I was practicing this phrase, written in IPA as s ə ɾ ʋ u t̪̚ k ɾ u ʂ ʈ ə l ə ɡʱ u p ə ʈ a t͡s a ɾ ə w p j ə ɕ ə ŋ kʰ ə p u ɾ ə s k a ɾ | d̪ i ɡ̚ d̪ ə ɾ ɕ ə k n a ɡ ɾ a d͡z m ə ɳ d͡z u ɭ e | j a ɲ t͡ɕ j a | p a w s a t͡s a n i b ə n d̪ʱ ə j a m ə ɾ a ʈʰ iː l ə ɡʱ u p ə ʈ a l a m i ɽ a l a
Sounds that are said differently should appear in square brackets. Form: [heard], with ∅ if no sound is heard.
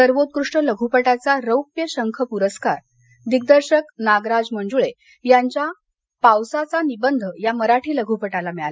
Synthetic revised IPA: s ə ɾ ʋ [o] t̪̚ k ɾ u ʂ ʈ ə l ə ɡʱ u p ə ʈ a t͡s a ɾ ə w p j ə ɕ ə ŋ kʰ ə p u ɾ ə s k a ɾ | d̪ i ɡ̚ d̪ ə ɾ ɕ ə k n a ɡ ɾ a d͡z m ə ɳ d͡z u ɭ e | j a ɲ t͡ɕ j a | p a w s a t͡s a n i b ə n d̪ʱ ə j a m ə ɾ a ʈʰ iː l ə ɡʱ u p ə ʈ a l a m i [ɭ] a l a

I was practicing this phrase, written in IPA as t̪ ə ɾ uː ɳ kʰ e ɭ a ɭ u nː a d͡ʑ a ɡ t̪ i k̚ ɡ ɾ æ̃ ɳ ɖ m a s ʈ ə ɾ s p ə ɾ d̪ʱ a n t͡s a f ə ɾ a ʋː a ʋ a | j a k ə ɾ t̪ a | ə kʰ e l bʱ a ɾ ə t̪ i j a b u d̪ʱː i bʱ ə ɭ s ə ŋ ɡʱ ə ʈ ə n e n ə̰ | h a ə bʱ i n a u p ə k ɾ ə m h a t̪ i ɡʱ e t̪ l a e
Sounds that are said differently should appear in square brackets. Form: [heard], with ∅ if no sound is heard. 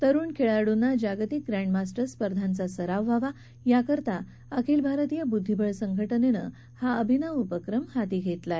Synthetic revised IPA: t̪ ə ɾ uː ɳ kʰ e ɭ a [ɽ] u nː a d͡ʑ a ɡ t̪ i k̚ ɡ ɾ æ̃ ɳ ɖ m a s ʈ ə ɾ s p ə ɾ d̪ʱ a n t͡s a [s] ə ɾ a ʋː a ʋ a | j a k ə ɾ t̪ a | ə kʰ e l bʱ a ɾ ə t̪ i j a b u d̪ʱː i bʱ ə ɭ s ə ŋ ɡʱ ə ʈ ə n e n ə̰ | h a ə bʱ i n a u p ə k ɾ ə m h a t̪ i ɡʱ e t̪ l a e

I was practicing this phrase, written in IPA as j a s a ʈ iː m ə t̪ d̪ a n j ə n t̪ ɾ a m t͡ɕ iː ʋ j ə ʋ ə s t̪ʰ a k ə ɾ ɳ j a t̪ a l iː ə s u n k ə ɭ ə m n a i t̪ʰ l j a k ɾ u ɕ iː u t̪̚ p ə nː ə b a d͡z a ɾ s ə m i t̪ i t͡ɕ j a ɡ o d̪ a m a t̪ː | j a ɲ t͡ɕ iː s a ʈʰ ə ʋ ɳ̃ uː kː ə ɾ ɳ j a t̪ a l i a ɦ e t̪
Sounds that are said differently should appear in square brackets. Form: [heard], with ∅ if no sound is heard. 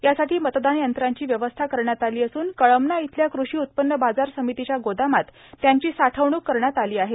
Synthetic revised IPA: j a s a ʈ iː m ə t̪ d̪ a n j ə n t̪ ɾ a [ɲ] t͡ɕ iː ʋ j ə ʋ ə s t̪ʰ a k ə ɾ ɳ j a t̪ a l iː ə s [uː] n k ə ɭ ə m n a i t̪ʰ l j a k ɾ u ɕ iː u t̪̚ p ə nː ə b a d͡z a ɾ s ə m i t̪ i t͡ɕ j a ɡ o d̪ a m a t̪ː | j a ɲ t͡ɕ iː s a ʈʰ ə ʋ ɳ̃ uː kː ə ɾ ɳ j a t̪ a l [iː] a ɦ e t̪

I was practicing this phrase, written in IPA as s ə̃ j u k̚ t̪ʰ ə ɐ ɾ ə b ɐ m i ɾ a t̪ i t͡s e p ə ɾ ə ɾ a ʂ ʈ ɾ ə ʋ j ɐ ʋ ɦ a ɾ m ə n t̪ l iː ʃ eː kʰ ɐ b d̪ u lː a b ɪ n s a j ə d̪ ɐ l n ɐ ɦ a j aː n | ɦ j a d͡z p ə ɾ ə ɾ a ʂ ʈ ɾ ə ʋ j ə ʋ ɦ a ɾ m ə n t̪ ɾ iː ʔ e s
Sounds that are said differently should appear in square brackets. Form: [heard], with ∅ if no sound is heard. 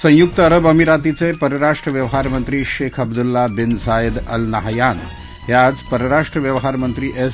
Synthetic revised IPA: s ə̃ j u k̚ [t̪] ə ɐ ɾ ə b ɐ m i ɾ a t̪ i t͡s e p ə ɾ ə ɾ a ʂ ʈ ɾ ə ʋ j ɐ ʋ ɦ a ɾ m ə n t̪ [ɾ] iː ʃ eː kʰ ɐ b d̪ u lː a b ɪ n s a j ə d̪ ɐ l n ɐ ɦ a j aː n | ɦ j a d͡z p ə ɾ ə ɾ a ʂ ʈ ɾ ə ʋ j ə ʋ ɦ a ɾ m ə n t̪ ɾ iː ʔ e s

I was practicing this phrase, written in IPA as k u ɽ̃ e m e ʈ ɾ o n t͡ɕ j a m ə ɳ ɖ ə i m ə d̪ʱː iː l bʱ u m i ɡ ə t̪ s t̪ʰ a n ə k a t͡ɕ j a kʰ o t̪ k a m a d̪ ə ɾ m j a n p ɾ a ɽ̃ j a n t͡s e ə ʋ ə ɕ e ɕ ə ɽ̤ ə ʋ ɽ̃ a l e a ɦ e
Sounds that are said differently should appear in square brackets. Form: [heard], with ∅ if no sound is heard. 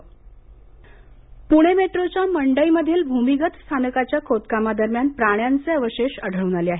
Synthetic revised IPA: [p] u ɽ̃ e m e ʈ ɾ o [∅] t͡ɕ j a m ə ɳ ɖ ə i m ə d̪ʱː iː l bʱ u m i ɡ ə t̪ s t̪ʰ a n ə k a t͡ɕ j a kʰ o t̪ k a m a d̪ ə ɾ m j a n p ɾ a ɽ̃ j a n t͡s e ə ʋ ə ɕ e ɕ ə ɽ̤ ə ʋ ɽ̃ a l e a ɦ e

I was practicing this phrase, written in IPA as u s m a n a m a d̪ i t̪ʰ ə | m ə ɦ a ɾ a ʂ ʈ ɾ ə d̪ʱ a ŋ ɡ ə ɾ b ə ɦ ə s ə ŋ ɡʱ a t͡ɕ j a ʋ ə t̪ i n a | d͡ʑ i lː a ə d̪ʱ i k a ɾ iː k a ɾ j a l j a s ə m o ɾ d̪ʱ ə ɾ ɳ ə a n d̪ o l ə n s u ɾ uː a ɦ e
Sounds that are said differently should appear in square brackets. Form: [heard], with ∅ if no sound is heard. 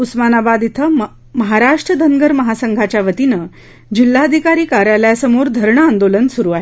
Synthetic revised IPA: u s m a n a [b] a d̪ i t̪ʰ ə | m ə ɦ a ɾ a ʂ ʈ ɾ ə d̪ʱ [ə] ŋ ɡ ə ɾ [m] ə ɦ [a] s ə ŋ ɡʱ a t͡ɕ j a ʋ ə t̪ i n [ə] | d͡ʑ i lː a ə d̪ʱ i k a ɾ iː k a ɾ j a l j a s ə m o ɾ d̪ʱ ə ɾ ɳ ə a n d̪ o l ə n s u ɾ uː a ɦ e

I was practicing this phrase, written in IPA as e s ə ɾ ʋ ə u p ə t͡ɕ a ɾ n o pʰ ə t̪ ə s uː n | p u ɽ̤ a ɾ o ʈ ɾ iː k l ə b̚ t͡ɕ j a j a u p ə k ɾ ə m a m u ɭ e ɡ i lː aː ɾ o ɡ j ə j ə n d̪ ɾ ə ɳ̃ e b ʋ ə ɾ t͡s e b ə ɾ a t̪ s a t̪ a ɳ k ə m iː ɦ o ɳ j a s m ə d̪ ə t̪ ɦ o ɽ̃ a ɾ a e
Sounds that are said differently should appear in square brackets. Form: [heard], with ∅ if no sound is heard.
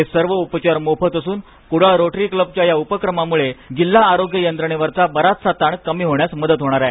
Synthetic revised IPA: e s ə ɾ ʋ ə u p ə t͡ɕ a ɾ [m] o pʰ ə t̪ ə s uː n | [k] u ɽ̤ a ɾ o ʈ ɾ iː k l ə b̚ t͡ɕ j a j a u p ə k ɾ ə m a m u ɭ e ɡ i lː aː ɾ o ɡ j ə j ə n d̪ ɾ ə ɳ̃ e [∅] ʋ ə ɾ t͡s [a] b ə ɾ a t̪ s a t̪ a ɳ k ə m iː ɦ o ɳ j a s m ə d̪ ə t̪ ɦ o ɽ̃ a ɾ a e

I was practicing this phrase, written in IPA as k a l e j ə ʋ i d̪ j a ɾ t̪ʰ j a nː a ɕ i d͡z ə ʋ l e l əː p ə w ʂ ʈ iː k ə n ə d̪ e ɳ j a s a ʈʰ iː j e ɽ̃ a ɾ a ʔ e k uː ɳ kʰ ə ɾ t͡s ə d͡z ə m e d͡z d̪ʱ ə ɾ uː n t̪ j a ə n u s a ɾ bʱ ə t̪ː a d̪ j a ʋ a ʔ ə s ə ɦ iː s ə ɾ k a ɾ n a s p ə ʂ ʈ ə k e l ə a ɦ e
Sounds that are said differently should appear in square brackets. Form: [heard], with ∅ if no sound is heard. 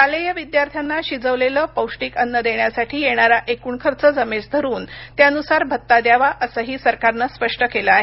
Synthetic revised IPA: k a l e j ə ʋ i d̪ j a ɾ t̪ʰ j a nː a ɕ i d͡z ə ʋ l e l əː p ə w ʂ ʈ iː k ə [nː] ə d̪ e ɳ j a s a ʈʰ iː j e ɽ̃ a ɾ a ʔ e k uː ɳ kʰ ə ɾ t͡s ə d͡z ə m e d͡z d̪ʱ ə ɾ uː n t̪ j a ə n u s a ɾ bʱ ə t̪ː a d̪ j a ʋ a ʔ ə s ə ɦ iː s ə ɾ k a ɾ n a s p ə ʂ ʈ ə k e l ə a ɦ e

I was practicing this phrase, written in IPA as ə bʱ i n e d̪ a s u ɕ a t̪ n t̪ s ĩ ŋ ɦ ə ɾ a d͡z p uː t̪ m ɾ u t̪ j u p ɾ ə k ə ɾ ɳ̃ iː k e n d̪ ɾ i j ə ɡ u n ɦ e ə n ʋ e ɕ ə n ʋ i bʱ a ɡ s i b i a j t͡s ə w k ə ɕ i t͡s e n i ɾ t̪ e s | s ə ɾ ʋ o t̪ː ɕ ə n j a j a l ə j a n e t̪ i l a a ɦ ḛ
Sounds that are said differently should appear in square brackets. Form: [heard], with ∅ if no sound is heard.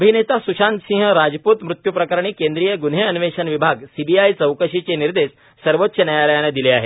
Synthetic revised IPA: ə bʱ i n e [t̪] a s u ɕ a [∅] n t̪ s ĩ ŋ ɦ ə ɾ a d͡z p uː t̪ m ɾ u t̪ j u p ɾ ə k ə ɾ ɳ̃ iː k e n d̪ ɾ i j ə ɡ u n ɦ e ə n ʋ e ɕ ə n ʋ i bʱ a ɡ s i b i a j t͡s ə w k ə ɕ i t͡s e n i ɾ [d̪] e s | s ə ɾ ʋ o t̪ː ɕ ə n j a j a l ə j a n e [d̪] i l [e] a ɦ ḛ

